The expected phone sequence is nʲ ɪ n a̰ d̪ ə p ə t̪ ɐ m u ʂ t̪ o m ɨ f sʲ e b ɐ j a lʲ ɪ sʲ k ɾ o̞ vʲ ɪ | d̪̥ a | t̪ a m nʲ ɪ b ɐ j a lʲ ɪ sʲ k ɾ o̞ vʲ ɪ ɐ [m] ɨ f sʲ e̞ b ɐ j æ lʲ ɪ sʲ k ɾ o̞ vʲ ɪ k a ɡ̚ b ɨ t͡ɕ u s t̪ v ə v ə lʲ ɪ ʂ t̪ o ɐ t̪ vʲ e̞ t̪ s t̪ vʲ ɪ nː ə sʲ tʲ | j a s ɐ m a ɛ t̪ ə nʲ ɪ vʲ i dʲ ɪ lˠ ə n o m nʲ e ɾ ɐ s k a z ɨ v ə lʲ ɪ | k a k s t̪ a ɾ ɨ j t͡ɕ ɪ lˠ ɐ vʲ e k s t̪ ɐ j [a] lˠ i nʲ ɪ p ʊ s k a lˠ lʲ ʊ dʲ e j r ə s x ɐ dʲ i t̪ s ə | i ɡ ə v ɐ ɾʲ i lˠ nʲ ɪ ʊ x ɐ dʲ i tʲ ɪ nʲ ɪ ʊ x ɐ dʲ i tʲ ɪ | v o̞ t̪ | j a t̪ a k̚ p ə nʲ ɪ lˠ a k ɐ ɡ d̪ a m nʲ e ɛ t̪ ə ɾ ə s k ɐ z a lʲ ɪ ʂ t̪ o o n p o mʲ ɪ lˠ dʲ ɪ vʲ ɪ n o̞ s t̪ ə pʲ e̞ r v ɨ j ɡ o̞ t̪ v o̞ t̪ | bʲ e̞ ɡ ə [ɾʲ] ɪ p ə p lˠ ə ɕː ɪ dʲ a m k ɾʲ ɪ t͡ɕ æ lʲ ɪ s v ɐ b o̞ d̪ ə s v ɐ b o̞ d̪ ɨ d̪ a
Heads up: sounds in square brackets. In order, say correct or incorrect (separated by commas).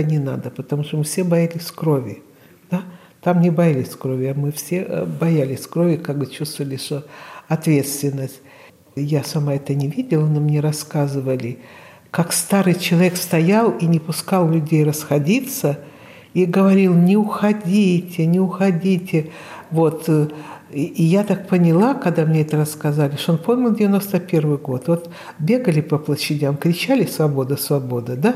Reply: correct, correct, incorrect